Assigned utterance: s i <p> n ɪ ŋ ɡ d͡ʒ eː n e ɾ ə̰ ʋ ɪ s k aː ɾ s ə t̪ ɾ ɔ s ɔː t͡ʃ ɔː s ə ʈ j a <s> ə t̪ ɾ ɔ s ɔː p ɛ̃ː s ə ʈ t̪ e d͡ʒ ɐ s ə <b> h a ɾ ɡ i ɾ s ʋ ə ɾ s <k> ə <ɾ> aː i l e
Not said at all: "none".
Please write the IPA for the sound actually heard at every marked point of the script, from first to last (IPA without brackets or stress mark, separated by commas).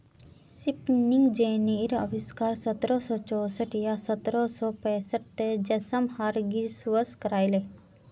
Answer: p, s, m, k, ɾ